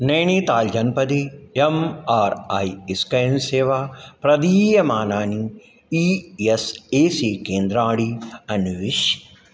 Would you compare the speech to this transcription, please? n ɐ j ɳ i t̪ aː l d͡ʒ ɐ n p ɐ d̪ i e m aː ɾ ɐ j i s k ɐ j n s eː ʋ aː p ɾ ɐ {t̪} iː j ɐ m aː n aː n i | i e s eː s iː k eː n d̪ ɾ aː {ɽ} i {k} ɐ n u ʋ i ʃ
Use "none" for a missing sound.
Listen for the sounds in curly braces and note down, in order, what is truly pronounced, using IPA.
d̪, ɽ, none

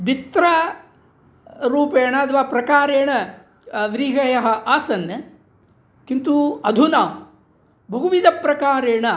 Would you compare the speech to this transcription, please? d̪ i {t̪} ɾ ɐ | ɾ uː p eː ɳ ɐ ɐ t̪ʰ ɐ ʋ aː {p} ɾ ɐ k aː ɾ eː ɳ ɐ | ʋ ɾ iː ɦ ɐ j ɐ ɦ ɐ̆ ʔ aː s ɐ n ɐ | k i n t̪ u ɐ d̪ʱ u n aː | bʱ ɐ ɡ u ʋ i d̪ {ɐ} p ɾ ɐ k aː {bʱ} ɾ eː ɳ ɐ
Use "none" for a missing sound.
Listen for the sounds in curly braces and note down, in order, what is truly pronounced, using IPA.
t̪, p, ɐ, none

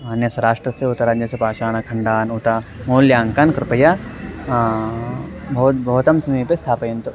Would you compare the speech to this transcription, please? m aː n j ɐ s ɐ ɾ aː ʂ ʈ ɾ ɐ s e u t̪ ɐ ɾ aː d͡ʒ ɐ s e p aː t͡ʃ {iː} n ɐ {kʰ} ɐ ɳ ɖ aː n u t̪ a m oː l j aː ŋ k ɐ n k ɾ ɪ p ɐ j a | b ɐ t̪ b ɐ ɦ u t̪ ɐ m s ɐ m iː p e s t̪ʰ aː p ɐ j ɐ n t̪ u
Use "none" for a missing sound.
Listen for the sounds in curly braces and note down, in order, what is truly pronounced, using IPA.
aː, kʰ

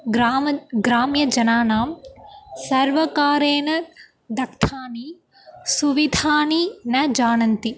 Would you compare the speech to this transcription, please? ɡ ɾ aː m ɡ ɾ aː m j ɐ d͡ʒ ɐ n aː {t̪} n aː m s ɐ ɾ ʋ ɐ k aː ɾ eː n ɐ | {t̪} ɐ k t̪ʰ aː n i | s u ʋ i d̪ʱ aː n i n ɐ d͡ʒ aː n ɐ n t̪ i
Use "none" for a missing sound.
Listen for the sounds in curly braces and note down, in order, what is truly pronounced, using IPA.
none, d̪

